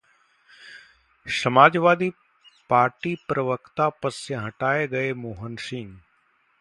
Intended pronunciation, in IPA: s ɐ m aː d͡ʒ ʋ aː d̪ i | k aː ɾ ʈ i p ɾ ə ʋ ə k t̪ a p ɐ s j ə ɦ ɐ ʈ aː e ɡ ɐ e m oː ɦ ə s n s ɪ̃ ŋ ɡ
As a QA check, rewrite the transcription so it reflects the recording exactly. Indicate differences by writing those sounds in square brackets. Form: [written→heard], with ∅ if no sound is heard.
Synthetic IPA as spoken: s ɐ m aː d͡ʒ ʋ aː d̪ i | [k→p] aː ɾ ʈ i p ɾ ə ʋ ə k t̪ a p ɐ s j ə ɦ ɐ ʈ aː e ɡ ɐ e m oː ɦ ə [s→∅] n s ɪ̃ ŋ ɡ